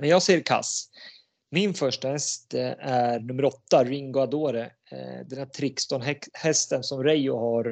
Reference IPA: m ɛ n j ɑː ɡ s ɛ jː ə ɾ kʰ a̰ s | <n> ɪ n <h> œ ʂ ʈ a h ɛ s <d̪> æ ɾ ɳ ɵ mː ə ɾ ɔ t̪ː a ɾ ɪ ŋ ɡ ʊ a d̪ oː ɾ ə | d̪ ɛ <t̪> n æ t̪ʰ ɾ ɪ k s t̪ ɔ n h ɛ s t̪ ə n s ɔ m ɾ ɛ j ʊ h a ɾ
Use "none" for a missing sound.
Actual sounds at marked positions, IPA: m, f, t̪, none

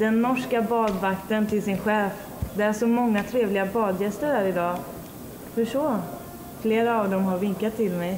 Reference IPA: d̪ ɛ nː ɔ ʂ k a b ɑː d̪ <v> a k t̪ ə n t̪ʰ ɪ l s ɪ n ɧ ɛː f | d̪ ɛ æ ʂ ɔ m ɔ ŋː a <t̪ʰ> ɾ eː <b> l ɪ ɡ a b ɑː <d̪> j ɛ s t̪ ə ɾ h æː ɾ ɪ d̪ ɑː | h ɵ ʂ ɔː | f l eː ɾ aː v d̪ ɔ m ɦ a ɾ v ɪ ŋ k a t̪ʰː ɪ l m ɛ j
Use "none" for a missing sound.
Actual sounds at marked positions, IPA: v, t̪ʰ, v, d̪

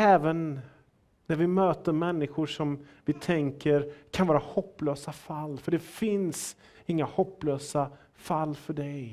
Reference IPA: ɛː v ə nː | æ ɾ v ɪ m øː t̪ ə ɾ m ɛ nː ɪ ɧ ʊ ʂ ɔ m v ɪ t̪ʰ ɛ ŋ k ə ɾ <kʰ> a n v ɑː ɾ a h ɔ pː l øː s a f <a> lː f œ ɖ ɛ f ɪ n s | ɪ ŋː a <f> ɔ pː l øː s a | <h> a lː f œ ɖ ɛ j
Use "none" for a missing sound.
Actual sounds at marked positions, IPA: kʰ, a, h, f

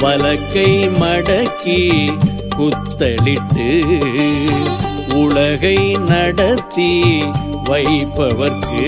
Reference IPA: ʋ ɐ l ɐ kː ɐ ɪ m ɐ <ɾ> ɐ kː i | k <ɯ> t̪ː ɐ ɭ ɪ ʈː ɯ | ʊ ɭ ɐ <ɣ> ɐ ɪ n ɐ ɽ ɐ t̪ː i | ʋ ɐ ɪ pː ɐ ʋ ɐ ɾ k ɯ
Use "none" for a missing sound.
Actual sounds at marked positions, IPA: ɽ, ʊ, ɣ

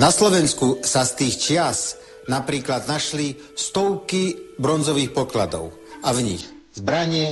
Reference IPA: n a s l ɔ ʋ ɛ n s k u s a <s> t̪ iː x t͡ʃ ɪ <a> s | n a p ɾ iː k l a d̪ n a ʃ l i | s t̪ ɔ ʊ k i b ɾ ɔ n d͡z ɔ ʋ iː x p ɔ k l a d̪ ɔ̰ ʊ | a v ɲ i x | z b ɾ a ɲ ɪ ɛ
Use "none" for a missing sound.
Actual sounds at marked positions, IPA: s, a

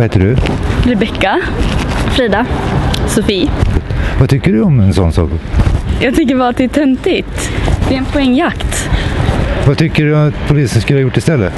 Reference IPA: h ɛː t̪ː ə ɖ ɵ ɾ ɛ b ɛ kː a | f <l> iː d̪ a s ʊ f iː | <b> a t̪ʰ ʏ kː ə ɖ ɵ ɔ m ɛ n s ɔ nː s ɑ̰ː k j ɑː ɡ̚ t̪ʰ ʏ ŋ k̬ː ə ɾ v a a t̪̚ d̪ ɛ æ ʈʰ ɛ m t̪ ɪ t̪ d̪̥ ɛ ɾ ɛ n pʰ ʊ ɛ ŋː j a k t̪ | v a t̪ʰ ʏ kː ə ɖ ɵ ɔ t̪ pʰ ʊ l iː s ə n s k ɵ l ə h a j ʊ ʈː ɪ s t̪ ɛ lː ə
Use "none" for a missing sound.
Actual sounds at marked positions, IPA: ɾ, v

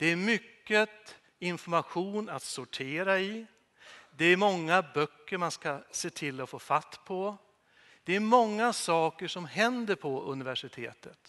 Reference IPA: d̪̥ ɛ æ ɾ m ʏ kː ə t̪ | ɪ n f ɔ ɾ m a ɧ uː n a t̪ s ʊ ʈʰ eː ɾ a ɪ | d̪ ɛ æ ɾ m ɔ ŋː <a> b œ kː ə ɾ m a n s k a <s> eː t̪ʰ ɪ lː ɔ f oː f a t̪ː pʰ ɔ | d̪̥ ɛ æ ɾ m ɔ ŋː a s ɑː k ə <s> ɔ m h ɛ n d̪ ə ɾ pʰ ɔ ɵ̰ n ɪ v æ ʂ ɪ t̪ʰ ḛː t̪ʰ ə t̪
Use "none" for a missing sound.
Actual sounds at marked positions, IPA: a, s, ʂ

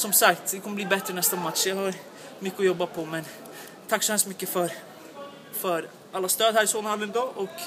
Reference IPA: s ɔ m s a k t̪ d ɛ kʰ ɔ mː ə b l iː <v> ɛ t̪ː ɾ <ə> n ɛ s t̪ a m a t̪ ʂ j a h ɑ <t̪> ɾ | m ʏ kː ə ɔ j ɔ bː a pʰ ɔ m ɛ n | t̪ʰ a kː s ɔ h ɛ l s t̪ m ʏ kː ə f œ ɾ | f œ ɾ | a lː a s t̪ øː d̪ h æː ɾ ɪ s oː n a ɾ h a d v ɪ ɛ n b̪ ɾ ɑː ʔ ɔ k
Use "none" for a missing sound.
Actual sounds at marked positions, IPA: b, ə, none

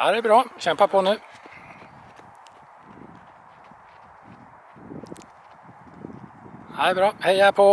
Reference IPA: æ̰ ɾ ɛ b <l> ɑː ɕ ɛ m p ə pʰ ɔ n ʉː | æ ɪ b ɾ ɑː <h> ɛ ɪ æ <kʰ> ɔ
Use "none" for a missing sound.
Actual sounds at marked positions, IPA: ɾ, h, pʰ

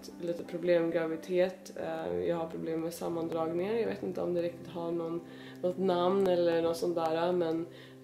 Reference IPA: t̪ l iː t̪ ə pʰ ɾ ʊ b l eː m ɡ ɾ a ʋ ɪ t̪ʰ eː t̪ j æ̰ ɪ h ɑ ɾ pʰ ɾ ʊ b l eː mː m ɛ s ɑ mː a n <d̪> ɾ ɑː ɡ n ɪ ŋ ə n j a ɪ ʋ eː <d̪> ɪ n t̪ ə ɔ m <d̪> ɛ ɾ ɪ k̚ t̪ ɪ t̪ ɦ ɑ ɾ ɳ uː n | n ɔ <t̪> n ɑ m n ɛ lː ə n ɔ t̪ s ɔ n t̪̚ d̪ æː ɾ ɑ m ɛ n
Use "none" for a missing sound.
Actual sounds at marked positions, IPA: d̪, t̪, d̪, t̪

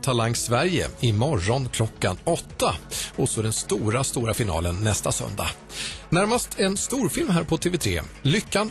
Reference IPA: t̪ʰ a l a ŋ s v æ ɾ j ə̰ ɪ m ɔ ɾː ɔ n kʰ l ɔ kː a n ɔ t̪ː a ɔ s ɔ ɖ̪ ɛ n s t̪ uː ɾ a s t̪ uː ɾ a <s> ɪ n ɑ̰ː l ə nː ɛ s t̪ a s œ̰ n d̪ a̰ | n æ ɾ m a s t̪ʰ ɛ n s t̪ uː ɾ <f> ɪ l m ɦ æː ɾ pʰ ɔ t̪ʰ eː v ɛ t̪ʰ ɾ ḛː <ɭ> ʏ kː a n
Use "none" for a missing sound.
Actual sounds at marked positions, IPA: f, f, l

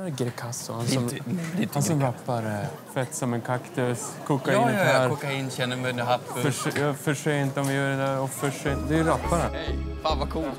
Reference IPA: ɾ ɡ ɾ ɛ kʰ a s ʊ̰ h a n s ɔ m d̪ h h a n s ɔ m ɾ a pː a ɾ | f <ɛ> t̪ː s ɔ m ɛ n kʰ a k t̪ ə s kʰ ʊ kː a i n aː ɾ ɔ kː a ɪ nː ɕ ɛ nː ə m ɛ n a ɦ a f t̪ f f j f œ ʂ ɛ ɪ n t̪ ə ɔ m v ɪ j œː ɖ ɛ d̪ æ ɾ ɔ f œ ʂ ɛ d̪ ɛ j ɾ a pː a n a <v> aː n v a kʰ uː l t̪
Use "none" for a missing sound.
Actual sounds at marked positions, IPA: ɛ, f

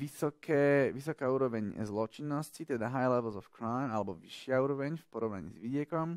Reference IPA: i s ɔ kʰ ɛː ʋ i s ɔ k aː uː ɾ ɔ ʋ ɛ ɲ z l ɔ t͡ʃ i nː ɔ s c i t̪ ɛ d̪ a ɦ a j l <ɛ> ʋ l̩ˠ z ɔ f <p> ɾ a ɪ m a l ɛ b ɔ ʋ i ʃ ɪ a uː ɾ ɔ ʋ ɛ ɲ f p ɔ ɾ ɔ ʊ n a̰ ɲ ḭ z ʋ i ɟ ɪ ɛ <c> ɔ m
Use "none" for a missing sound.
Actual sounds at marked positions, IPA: ɛ, k, k

